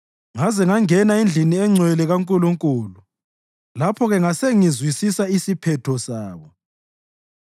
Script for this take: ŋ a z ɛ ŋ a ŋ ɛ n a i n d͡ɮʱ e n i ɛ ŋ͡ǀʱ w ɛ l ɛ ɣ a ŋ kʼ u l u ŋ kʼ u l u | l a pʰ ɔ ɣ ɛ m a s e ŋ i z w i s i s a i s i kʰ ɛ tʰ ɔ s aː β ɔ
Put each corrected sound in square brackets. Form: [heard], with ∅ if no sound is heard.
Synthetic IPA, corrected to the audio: ŋ a z ɛ ŋ a ŋ ɛ n a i n d͡ɮʱ [i] n i ɛ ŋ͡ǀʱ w ɛ l ɛ ɣ a ŋ kʼ u l u ŋ kʼ u l u | l a pʰ ɔ ɣ ɛ [ŋ] a s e ŋ i z w i s i s a i s i [pʰ] ɛ tʰ ɔ s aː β ɔ